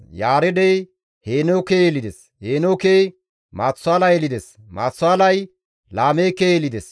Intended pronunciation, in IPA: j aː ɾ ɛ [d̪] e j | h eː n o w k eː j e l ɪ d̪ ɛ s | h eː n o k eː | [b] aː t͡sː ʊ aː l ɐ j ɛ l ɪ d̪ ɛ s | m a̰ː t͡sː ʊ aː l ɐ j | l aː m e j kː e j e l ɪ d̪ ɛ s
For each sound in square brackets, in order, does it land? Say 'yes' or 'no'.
yes, no

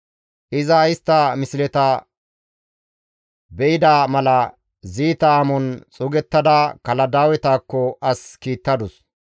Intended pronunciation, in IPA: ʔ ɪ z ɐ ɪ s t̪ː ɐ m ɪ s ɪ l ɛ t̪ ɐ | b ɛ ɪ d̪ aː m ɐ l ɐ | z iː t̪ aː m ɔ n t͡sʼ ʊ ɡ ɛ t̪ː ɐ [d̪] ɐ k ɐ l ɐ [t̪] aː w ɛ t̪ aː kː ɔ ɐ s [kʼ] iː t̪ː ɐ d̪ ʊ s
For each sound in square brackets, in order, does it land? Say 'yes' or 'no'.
yes, no, no

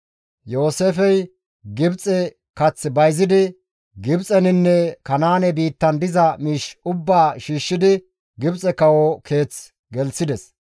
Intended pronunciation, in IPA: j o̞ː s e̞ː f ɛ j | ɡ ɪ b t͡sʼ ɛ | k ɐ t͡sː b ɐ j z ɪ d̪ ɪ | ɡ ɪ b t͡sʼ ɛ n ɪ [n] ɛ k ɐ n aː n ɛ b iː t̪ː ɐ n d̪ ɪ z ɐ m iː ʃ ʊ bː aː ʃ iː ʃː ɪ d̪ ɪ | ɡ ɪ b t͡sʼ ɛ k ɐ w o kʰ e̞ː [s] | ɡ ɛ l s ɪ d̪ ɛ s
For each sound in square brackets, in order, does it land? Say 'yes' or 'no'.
no, no

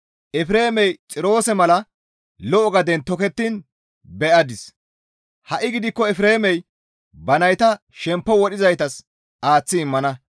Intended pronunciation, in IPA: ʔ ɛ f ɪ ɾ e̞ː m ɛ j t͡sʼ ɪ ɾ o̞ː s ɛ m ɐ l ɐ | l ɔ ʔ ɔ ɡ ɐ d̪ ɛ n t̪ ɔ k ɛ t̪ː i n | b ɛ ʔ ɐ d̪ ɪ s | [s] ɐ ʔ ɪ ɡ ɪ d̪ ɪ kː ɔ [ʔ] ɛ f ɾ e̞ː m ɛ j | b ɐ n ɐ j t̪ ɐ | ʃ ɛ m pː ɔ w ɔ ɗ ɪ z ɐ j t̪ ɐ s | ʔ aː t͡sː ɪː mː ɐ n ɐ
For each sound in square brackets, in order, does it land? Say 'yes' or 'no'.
no, no

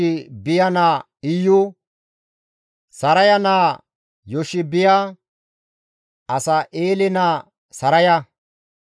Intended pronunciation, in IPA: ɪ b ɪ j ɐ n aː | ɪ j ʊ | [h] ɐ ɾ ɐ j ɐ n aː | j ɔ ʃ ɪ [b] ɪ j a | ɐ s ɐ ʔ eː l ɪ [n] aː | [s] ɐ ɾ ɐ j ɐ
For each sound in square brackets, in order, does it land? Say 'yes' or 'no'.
no, yes, yes, yes

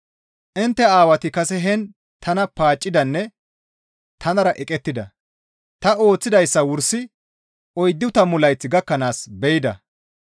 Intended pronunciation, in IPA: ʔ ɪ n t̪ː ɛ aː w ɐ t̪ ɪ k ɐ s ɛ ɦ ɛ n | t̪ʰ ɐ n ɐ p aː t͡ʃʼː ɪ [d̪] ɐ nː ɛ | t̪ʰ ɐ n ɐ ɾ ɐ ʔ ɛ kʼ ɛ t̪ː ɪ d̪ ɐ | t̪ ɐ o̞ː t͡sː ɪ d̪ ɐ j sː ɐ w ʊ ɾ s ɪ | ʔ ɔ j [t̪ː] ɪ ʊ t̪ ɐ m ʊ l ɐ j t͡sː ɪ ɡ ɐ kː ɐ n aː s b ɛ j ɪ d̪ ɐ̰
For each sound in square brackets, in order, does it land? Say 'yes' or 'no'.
yes, no

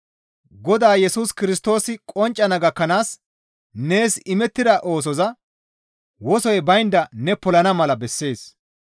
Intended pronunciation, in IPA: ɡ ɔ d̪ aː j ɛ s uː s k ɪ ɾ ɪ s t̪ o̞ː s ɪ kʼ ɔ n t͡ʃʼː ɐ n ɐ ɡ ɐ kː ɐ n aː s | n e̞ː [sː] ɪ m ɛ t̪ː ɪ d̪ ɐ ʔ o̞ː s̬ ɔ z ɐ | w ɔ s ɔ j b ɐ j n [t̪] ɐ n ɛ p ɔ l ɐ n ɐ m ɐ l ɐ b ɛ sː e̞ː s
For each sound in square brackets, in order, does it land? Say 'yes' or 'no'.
no, no

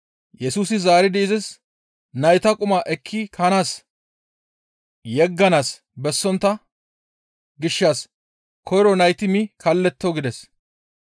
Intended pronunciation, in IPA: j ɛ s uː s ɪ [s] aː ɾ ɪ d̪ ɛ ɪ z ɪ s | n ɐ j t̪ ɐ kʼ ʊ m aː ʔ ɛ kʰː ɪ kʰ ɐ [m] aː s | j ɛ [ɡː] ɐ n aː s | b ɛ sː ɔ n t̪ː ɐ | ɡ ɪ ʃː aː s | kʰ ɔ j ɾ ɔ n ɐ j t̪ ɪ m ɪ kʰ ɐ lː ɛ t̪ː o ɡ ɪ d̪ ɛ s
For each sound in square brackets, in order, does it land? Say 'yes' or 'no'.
no, no, yes

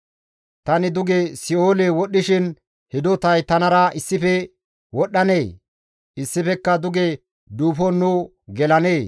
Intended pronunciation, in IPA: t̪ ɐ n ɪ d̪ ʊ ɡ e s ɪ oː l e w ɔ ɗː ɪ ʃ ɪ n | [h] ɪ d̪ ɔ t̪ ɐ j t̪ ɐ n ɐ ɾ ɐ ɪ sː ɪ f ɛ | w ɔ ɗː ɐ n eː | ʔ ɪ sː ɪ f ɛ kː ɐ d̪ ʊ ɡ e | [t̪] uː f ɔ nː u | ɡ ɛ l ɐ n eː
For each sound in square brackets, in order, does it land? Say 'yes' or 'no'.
yes, no

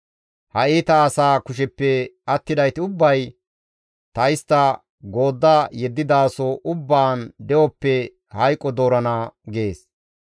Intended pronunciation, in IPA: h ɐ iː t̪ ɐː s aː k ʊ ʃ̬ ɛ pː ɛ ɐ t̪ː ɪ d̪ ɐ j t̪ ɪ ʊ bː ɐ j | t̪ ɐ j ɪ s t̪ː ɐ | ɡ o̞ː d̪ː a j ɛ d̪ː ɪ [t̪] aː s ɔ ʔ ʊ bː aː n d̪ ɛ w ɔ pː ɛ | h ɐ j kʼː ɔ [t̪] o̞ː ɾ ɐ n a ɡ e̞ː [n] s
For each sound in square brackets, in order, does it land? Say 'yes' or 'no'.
no, no, no

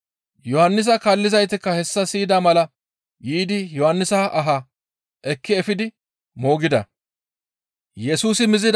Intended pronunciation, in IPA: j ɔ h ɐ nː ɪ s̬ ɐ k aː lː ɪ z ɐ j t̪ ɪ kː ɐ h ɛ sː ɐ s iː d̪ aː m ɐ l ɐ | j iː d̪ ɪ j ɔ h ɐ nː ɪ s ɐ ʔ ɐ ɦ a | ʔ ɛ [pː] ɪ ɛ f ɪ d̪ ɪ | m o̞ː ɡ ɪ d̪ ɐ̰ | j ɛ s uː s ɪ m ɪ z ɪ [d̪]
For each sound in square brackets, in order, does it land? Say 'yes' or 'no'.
no, yes

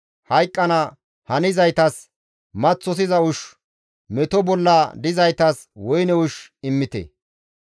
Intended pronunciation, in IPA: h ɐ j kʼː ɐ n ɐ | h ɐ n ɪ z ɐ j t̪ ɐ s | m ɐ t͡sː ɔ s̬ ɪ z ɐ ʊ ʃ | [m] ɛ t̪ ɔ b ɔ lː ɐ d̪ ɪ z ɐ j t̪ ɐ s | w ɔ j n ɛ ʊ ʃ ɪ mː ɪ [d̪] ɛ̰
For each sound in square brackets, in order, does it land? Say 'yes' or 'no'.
yes, no

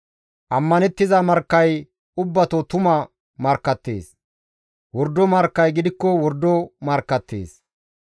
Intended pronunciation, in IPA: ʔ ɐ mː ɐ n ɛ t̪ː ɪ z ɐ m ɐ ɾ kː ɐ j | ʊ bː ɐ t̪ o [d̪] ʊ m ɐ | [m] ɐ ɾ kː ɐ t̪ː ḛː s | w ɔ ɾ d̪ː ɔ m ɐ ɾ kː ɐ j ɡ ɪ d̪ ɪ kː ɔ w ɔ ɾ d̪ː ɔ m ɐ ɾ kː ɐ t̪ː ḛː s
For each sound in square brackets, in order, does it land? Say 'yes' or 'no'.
no, yes

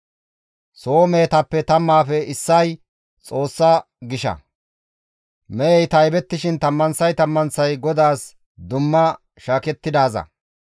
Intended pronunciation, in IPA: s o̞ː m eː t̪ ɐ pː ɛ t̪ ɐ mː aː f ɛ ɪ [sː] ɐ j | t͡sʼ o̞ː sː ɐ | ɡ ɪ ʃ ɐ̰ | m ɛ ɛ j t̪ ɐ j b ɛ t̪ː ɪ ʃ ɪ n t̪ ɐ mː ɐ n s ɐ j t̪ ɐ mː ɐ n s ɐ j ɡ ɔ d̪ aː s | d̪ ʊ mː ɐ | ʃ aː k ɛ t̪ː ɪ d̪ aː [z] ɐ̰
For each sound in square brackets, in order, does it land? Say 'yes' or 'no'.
yes, yes

